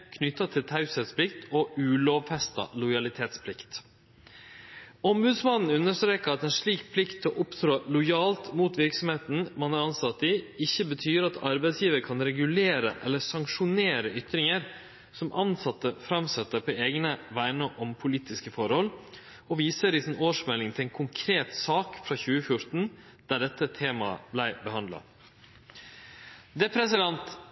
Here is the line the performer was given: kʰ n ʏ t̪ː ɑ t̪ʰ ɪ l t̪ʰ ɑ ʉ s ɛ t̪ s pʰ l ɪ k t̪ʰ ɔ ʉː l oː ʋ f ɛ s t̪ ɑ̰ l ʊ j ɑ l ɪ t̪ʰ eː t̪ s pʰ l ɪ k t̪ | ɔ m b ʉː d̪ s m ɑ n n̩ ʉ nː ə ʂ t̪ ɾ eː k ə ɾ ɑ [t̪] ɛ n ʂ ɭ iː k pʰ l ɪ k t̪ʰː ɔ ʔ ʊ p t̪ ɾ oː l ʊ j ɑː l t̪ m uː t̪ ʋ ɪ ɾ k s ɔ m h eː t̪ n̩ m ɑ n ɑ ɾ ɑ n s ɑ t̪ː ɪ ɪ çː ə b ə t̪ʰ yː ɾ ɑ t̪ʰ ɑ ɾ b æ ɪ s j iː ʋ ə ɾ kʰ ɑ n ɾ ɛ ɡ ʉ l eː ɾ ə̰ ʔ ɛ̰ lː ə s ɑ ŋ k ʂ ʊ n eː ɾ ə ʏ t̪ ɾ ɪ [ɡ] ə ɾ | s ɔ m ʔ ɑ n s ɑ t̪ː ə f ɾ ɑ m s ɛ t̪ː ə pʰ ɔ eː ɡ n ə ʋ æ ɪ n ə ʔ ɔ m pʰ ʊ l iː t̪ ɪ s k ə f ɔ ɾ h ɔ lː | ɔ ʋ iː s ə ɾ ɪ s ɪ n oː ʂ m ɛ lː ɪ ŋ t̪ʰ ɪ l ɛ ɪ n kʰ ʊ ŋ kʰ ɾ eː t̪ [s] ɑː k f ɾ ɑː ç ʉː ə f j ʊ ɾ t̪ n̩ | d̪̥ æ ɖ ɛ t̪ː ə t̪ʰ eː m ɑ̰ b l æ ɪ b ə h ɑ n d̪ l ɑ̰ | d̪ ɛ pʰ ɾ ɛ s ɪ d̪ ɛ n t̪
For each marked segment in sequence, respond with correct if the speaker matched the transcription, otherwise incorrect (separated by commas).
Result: correct, incorrect, correct